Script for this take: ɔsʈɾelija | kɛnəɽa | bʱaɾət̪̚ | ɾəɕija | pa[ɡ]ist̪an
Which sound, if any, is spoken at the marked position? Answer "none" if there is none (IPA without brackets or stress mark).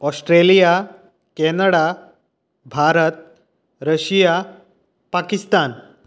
k